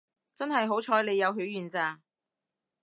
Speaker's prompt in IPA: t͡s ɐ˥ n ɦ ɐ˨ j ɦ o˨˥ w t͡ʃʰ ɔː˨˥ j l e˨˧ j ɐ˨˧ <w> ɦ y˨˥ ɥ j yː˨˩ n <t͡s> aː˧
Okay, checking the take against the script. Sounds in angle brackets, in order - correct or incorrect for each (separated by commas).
correct, correct